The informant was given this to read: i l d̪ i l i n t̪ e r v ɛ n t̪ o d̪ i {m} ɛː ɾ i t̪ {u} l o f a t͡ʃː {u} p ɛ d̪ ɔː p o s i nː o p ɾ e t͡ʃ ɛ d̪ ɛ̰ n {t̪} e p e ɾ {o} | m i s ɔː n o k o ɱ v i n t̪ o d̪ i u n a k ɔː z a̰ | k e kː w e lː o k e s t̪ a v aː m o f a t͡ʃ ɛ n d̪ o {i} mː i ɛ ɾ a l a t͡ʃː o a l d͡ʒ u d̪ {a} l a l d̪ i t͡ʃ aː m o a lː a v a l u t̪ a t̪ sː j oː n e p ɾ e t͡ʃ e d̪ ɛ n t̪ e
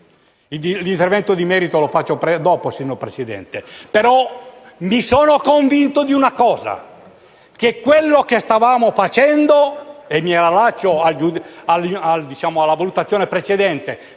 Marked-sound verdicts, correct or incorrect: correct, incorrect, incorrect, correct, incorrect, incorrect, correct

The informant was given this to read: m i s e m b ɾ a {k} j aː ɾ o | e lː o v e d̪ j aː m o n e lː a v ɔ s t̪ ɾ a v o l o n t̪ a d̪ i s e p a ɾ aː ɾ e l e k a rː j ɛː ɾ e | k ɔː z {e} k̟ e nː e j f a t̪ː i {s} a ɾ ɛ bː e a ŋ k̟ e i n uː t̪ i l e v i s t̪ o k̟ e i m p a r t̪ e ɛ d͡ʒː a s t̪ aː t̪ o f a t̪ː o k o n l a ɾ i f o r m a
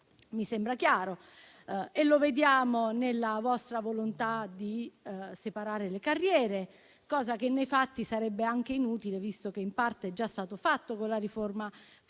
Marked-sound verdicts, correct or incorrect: correct, incorrect, correct

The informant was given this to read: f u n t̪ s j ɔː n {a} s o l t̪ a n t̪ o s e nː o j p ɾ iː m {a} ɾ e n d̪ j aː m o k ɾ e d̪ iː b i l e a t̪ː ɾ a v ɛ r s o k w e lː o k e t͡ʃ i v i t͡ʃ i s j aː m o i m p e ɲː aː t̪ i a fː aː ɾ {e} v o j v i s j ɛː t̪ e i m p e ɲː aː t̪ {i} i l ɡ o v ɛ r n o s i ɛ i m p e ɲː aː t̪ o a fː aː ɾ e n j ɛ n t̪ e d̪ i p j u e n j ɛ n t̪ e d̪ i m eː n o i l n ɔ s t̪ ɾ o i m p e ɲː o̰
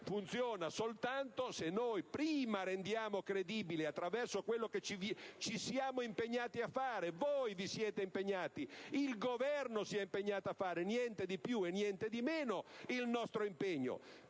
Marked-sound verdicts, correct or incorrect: correct, correct, correct, correct

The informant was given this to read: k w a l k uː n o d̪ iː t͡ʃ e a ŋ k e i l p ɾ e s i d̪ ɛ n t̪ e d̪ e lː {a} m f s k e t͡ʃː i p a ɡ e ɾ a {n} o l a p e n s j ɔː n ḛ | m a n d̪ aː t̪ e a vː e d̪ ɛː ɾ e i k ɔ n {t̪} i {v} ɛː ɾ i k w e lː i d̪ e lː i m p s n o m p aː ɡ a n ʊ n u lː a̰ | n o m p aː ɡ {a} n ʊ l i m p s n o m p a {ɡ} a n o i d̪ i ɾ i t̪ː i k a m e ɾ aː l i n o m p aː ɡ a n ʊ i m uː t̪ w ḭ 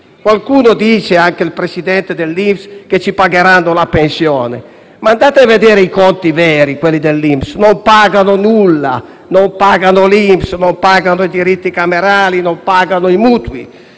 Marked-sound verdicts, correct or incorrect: incorrect, incorrect, correct, correct, correct, correct

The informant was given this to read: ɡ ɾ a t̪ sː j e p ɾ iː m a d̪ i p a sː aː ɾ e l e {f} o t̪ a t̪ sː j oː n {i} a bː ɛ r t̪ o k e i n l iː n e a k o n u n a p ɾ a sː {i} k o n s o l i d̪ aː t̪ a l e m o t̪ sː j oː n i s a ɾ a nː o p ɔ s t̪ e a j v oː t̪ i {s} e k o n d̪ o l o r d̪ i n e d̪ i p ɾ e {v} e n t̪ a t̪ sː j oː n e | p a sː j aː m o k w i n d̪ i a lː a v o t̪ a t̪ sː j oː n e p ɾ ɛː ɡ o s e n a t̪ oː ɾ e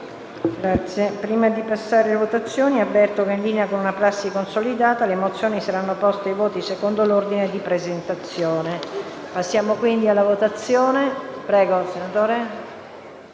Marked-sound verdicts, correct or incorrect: incorrect, correct, correct, correct, incorrect

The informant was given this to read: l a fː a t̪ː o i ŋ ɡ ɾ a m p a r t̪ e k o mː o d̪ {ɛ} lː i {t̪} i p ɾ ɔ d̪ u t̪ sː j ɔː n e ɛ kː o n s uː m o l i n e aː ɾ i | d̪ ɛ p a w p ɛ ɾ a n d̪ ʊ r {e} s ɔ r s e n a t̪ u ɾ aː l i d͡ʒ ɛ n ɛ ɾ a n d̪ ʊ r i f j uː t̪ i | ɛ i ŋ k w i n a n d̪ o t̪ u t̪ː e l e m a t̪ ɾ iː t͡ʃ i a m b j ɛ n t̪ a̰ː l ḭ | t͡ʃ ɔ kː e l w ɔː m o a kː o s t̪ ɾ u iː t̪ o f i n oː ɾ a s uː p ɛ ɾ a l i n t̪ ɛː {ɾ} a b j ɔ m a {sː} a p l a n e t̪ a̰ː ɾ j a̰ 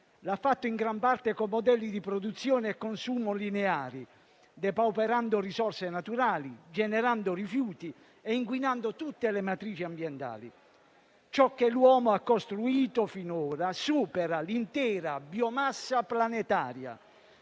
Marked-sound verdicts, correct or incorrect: correct, incorrect, incorrect, correct, correct

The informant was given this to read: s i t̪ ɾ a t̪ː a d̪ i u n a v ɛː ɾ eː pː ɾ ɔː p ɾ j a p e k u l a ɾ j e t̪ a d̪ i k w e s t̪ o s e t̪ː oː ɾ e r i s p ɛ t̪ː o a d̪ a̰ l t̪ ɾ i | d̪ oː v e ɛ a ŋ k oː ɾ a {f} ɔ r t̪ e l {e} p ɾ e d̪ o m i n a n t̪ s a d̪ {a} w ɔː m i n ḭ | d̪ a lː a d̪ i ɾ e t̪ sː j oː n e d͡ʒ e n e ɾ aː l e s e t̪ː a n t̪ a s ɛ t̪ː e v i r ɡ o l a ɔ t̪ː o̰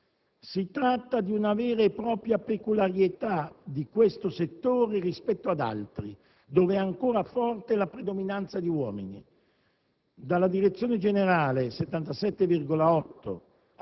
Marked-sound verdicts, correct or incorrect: correct, incorrect, incorrect

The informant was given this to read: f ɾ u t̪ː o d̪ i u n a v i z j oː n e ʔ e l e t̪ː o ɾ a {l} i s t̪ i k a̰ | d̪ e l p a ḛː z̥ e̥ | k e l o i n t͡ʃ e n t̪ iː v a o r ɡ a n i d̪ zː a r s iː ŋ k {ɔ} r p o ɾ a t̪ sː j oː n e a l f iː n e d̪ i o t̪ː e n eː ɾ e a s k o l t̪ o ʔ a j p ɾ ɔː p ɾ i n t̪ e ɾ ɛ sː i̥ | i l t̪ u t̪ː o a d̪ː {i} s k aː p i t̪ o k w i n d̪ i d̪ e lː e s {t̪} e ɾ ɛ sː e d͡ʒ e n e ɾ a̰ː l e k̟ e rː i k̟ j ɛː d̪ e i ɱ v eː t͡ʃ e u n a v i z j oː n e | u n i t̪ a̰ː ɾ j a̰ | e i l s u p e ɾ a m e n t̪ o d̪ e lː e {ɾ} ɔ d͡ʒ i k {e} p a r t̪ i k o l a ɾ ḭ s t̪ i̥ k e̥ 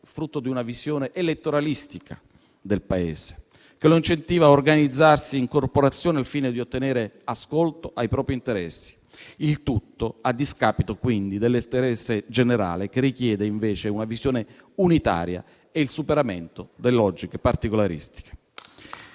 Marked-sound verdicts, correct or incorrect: correct, incorrect, correct, correct, incorrect, correct

